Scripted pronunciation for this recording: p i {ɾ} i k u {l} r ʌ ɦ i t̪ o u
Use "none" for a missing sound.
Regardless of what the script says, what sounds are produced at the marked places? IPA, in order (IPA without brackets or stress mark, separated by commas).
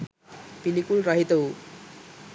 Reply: l, l